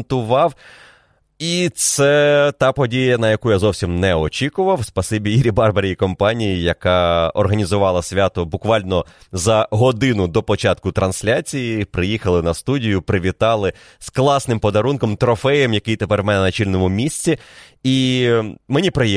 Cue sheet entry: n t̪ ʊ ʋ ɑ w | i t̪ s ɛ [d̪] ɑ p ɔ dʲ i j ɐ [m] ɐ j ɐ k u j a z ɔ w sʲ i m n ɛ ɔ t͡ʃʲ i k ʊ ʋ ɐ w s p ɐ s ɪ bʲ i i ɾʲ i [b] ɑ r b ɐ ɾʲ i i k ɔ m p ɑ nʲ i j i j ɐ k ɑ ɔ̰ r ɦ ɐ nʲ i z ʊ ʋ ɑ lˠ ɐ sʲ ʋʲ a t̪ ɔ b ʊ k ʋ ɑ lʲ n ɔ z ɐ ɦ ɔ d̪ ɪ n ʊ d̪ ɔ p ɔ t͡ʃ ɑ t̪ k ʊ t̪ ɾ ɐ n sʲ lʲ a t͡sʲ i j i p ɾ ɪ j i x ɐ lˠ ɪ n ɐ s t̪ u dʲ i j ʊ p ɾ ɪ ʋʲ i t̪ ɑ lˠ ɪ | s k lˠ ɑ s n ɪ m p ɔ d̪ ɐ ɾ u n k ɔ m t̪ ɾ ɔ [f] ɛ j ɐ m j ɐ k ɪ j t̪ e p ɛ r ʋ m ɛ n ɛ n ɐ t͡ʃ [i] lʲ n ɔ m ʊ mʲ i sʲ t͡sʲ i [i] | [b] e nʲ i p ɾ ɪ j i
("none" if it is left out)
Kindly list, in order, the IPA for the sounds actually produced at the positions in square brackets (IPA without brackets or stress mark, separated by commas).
t̪, n, b, f, i, i, m